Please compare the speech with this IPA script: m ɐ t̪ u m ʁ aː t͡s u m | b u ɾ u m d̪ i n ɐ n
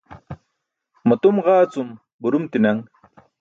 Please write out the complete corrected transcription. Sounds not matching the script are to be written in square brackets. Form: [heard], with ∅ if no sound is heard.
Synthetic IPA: m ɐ t̪ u m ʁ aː t͡s u m | b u ɾ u m [t̪] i n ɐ [ŋ]